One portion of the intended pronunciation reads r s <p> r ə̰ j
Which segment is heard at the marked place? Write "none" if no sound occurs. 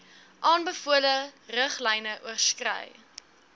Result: k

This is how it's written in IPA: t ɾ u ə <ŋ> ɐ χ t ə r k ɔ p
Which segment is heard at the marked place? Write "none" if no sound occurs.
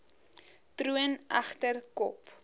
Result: n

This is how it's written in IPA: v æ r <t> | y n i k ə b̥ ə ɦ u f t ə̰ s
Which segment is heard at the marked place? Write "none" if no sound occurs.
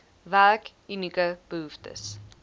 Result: k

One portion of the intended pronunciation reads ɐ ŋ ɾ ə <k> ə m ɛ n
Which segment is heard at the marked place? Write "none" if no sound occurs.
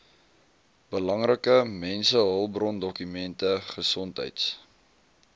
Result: k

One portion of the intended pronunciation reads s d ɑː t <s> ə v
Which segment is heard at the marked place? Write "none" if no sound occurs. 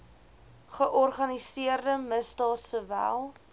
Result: s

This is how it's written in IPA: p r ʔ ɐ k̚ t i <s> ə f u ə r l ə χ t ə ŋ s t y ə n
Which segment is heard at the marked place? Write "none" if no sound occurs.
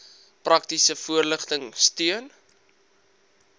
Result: s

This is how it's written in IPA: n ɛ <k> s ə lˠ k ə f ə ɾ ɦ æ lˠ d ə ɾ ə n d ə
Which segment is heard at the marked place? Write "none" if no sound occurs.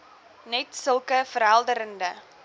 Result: t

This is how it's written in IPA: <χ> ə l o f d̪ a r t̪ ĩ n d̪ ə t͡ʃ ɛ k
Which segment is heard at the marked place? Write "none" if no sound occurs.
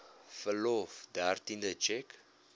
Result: f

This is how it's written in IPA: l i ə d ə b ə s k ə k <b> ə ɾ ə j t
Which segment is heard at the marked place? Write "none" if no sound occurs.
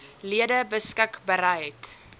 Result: b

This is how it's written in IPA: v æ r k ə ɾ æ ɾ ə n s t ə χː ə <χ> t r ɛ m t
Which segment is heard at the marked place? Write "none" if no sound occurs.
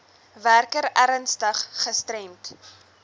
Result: s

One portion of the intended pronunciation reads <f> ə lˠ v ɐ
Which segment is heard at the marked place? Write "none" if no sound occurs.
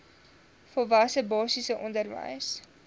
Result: f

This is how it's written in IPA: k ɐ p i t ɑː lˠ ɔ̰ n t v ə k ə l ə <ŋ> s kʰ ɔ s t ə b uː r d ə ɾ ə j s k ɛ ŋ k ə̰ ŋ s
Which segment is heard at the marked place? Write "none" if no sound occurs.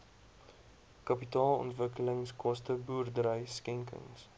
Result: ŋ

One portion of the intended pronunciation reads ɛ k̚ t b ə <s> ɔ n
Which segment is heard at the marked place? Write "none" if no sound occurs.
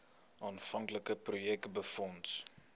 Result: f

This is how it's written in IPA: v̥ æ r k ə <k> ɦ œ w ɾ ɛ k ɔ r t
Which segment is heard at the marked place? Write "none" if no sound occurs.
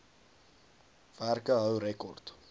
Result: none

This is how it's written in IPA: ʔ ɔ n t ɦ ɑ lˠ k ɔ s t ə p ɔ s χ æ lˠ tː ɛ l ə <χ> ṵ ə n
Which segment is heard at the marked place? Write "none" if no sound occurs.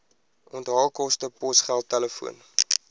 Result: f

